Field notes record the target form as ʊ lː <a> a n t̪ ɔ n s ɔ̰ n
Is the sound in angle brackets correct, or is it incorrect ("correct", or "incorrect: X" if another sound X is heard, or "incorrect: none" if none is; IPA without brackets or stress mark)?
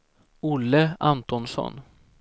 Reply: incorrect: ə